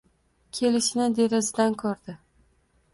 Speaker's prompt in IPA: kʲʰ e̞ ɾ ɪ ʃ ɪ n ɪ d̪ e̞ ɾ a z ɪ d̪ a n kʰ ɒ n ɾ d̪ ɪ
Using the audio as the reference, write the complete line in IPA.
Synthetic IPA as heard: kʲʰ e̞ l ɪ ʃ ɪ n ɪ d̪ e̞ ɾ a z ɪ d̪ a n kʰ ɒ ɾ d̪ ɪ

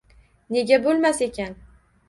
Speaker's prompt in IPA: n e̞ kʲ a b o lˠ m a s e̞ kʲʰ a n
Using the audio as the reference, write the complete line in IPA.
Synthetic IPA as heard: n e̞ ɡʲ a b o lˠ m a s e̞ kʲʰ a n

